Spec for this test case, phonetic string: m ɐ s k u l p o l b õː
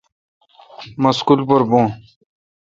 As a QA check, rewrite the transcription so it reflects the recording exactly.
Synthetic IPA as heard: m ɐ s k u l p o ɾ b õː

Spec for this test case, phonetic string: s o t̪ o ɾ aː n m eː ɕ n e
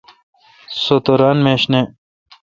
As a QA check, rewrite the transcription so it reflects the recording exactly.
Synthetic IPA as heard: s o t̪ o ɾ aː n m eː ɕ n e

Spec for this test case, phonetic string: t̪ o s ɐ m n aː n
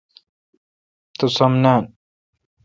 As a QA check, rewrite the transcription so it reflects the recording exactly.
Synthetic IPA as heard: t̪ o s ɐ m n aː n

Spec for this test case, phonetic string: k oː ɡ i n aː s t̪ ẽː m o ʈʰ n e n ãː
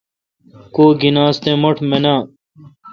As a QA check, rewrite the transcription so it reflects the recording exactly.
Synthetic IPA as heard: k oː ɡ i n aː s t̪ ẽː m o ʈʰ m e n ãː

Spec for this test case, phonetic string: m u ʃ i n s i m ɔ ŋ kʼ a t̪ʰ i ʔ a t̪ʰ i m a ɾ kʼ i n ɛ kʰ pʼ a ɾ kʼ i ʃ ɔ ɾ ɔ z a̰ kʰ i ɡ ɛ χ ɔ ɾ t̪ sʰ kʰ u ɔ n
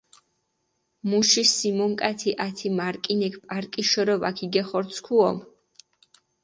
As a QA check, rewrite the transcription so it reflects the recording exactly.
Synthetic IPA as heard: m u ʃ i s i m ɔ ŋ kʼ a t̪ʰ i ʔ a t̪ʰ i m a ɾ kʼ i n ɛ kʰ pʼ a ɾ kʼ i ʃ ɔ ɾ ɔ v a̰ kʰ i ɡ ɛ χ ɔ ɾ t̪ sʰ kʰ u ɔ m

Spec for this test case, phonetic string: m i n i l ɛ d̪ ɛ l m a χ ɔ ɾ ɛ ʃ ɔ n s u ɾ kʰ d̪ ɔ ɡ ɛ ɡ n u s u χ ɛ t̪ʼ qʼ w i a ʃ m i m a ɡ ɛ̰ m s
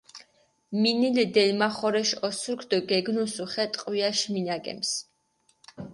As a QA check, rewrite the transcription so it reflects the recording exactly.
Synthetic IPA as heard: m i n i l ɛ d̪ ɛ l m a χ ɔ ɾ ɛ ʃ ɔ s u ɾ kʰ d̪ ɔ ɡ ɛ ɡ n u s u χ ɛ t̪ʼ qʼ w i a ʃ m i n a ɡ ɛ̰ m s

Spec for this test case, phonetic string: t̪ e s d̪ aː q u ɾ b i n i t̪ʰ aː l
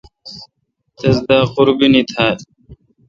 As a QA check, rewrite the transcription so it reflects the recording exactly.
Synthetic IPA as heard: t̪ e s d̪ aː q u ɾ b i n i t̪ʰ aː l

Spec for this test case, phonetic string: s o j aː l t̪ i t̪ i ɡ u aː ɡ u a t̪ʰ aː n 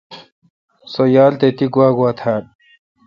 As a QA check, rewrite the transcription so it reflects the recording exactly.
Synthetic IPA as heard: s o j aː l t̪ e t̪ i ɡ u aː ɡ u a t̪ʰ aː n

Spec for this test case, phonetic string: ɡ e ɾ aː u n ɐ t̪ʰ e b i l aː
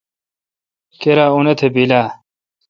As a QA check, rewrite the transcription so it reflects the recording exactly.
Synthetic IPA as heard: k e ɾ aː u n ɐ t̪ʰ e b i l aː

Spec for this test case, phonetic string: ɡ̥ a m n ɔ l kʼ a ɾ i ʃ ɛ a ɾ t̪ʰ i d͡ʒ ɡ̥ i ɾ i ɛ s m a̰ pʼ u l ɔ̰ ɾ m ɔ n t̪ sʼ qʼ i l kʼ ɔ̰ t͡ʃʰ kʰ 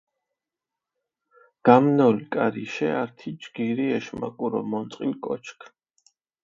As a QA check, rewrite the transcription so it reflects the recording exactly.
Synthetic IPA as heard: ɡ̥ a m n ɔ l kʼ a ɾ i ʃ ɛ a ɾ t̪ʰ i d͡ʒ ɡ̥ i ɾ i ɛ ʃ m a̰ kʼ u ɾ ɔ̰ m ɔ n t̪ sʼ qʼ i l kʼ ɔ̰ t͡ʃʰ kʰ

